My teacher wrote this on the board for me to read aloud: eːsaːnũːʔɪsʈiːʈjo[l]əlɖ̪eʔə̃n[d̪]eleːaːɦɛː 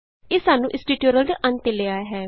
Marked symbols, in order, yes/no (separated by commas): no, no